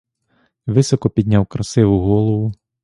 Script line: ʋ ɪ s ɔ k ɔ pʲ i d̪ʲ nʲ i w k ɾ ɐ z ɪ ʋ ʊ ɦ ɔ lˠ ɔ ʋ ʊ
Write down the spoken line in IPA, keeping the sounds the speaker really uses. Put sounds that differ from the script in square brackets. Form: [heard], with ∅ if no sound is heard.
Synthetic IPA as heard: ʋ ɪ s ɔ k ɔ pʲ i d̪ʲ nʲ [a] w k ɾ ɐ [s] ɪ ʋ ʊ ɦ ɔ lˠ ɔ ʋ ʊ